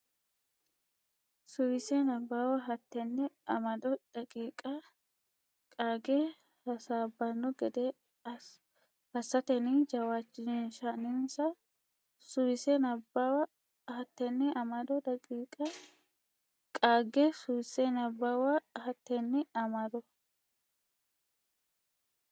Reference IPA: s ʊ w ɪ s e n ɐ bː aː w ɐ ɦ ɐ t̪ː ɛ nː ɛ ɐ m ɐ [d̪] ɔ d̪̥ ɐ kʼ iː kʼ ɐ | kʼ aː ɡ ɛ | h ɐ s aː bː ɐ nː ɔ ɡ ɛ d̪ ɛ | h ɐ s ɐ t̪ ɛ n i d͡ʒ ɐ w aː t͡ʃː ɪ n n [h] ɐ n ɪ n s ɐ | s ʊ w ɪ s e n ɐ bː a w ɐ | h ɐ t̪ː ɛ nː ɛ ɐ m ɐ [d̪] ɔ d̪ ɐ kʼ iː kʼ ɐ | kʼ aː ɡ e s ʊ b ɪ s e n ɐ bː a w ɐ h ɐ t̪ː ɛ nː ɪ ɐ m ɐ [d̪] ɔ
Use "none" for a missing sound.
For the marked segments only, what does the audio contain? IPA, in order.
d̪, ʃ, d̪, d̪

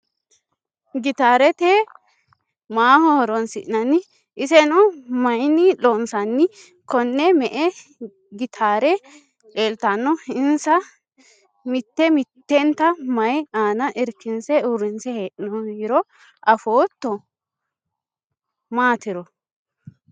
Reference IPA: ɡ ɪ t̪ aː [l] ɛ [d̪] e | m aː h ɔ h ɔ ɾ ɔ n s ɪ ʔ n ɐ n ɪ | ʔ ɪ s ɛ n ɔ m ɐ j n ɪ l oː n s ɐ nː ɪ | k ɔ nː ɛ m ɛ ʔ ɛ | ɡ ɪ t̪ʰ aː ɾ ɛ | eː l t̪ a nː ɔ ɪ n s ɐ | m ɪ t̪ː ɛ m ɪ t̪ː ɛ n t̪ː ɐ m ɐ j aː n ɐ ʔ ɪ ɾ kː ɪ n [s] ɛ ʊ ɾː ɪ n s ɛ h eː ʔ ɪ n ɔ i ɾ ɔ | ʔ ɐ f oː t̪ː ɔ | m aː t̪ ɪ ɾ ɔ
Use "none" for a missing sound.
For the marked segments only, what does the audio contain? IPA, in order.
ɾ, t̪, s

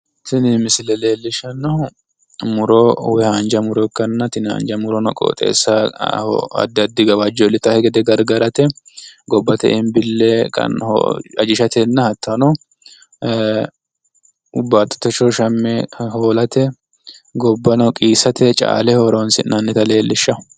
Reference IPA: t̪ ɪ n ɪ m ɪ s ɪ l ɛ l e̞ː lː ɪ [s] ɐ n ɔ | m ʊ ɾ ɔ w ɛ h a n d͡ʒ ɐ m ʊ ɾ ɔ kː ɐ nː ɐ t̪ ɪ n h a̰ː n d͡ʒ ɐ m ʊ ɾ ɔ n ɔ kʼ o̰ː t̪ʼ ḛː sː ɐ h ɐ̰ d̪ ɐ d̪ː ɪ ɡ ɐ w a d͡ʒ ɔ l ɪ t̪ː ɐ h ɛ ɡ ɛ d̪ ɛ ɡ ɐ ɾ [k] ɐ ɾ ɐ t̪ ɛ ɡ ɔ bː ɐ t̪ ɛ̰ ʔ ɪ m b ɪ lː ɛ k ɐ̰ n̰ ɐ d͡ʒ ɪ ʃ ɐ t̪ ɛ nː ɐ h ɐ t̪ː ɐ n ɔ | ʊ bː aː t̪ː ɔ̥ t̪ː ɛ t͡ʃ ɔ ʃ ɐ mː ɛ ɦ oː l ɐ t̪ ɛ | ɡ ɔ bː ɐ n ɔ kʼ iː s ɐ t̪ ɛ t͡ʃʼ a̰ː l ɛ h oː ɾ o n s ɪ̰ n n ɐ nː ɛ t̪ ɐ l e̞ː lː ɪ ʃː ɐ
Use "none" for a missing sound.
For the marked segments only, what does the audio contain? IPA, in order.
ʃ, ɡ

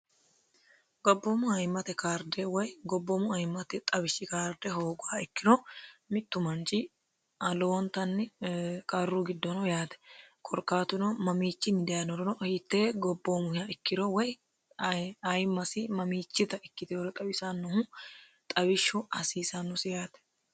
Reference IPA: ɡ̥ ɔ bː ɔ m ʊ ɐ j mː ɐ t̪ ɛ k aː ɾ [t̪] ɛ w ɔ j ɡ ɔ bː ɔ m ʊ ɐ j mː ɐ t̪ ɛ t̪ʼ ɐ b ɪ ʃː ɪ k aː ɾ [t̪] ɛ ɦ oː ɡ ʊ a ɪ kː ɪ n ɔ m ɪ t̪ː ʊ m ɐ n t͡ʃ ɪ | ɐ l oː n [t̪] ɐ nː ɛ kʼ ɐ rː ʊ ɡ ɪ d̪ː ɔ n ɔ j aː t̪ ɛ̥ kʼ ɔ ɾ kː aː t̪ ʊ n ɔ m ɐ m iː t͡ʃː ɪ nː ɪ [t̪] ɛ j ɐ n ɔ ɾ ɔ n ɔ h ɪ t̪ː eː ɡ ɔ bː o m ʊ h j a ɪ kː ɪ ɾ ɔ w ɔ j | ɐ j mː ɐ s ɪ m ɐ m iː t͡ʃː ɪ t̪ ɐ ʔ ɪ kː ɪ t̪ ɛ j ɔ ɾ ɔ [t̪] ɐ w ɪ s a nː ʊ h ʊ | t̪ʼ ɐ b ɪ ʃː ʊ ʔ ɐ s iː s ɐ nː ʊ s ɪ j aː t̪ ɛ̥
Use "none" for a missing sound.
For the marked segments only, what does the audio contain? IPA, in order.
d̪, d̪, t̪, d̪, t̪ʼ

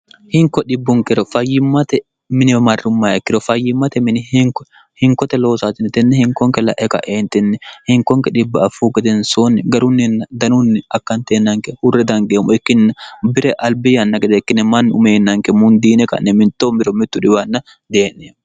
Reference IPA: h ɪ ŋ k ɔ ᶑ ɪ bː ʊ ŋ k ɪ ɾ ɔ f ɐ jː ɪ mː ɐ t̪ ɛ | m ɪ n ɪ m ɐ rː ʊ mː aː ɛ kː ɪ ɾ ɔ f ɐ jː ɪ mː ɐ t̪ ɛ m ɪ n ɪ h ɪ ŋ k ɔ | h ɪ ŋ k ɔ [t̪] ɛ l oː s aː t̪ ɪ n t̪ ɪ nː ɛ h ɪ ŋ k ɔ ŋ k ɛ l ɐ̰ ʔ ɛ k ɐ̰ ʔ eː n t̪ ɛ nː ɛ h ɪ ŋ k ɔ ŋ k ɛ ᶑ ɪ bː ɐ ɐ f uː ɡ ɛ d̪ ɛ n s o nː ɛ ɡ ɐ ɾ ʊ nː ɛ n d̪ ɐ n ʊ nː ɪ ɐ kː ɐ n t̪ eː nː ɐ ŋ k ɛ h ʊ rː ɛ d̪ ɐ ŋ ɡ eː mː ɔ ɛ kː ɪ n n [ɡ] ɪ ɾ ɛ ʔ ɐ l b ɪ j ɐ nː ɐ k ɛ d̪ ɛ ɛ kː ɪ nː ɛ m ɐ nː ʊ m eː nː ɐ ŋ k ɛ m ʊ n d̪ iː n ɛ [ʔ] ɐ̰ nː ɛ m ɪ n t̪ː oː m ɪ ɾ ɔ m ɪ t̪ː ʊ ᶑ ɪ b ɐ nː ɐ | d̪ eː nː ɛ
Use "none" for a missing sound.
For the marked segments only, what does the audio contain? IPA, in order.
t̪, b, k

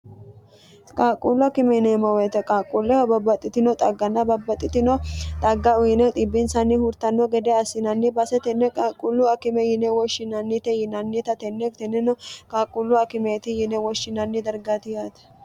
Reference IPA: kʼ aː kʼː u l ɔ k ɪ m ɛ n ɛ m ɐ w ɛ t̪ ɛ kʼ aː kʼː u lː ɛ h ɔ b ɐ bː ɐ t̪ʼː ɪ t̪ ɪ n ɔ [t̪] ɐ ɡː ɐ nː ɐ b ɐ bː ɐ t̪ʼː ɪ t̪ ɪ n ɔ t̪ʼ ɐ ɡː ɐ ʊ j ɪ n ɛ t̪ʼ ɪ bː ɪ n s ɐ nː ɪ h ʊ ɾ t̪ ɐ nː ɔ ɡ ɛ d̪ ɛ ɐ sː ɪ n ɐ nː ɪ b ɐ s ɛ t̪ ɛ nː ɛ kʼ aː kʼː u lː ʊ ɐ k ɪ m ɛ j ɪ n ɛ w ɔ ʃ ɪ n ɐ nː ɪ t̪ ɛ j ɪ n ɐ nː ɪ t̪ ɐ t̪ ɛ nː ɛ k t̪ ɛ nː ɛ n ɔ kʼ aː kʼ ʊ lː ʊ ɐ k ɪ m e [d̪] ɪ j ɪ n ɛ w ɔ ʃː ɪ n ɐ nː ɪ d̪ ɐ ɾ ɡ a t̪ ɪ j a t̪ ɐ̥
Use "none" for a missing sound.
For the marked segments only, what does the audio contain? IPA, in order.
t̪ʼ, t̪

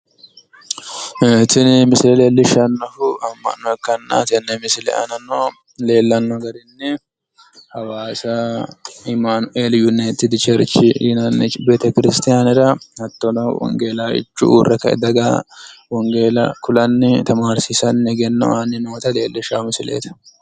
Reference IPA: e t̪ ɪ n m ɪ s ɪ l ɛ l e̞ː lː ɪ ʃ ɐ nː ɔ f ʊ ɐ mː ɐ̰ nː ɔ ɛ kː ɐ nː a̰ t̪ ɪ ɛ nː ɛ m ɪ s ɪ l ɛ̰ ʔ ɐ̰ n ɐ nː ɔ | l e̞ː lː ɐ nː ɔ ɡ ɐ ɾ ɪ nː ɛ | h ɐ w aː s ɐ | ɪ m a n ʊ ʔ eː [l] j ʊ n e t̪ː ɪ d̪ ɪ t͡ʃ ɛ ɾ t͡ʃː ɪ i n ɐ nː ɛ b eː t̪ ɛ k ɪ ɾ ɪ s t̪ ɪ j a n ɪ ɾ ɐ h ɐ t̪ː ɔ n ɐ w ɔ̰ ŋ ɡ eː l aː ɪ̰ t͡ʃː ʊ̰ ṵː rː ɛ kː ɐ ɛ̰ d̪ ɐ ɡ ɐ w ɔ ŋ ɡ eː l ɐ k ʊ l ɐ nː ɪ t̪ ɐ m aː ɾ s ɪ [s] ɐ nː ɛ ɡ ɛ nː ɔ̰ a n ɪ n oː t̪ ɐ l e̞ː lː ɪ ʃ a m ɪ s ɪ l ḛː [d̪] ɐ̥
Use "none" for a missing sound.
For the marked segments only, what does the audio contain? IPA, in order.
l, s, t̪

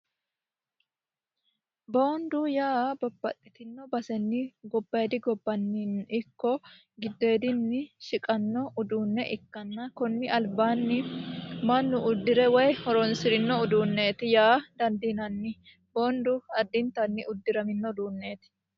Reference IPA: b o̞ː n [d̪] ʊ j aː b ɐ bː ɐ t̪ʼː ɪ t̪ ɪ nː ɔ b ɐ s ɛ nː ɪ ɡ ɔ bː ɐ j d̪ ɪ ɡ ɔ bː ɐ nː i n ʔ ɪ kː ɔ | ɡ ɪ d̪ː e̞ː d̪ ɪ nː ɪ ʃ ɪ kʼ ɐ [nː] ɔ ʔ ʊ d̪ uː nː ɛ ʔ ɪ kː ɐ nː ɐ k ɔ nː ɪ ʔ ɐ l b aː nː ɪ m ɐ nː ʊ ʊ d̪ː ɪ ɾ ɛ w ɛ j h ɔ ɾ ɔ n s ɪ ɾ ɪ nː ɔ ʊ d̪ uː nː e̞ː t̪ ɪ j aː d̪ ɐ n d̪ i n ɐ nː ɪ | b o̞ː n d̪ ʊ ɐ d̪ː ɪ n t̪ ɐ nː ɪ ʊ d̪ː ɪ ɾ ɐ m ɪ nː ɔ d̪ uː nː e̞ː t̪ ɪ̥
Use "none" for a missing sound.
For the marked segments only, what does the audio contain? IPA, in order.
d̪, nː

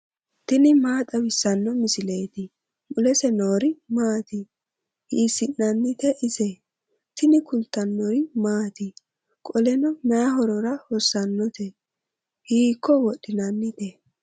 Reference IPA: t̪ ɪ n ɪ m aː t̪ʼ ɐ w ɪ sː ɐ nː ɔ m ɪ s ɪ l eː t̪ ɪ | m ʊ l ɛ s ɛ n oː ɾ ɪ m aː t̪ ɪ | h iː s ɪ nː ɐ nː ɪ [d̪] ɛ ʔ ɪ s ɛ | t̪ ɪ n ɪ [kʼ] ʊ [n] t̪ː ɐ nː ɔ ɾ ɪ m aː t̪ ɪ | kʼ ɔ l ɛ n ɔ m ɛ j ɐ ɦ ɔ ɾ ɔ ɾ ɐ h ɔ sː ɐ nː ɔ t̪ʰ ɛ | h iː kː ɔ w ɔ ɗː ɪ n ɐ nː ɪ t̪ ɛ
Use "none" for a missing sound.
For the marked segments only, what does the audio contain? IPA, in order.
t̪, k, n

